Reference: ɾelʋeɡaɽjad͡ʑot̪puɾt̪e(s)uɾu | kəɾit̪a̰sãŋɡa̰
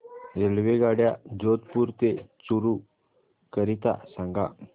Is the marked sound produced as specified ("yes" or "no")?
no